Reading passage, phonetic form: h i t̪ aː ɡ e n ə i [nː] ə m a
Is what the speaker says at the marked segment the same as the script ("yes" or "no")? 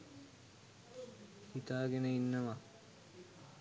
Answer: yes